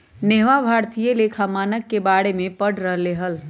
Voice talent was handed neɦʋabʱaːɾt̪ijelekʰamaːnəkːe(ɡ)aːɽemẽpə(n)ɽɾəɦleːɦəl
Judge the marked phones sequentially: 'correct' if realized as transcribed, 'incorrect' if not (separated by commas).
incorrect, incorrect